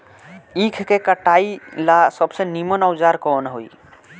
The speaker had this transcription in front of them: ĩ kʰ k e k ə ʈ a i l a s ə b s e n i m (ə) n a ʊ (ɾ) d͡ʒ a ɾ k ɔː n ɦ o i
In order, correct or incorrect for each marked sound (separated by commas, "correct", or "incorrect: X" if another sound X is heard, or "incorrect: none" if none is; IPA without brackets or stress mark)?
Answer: correct, incorrect: none